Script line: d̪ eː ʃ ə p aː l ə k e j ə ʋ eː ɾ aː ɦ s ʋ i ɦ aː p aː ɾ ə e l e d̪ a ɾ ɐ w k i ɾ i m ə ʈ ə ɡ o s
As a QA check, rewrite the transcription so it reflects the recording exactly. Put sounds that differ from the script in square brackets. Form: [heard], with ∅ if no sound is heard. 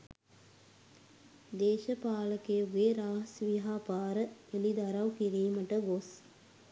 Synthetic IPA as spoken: d̪ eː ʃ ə p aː l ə k e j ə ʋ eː ɾ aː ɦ s ʋ i ɦ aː p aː ɾ ə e l [i] d̪ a ɾ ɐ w k i ɾ [iː] m ə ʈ ə ɡ o s